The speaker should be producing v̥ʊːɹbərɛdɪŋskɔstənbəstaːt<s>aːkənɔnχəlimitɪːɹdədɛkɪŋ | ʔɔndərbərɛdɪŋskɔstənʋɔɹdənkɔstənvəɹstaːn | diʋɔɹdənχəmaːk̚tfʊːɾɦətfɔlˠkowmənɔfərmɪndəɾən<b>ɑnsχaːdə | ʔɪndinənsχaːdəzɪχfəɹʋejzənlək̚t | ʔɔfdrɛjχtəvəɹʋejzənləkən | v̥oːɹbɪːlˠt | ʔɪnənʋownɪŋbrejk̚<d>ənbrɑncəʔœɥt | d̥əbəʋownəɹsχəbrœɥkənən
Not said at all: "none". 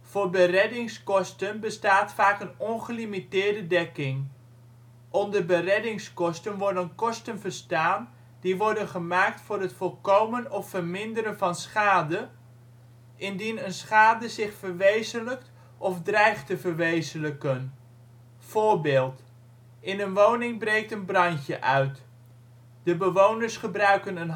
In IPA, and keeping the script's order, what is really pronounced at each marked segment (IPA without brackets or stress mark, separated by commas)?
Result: f, v, t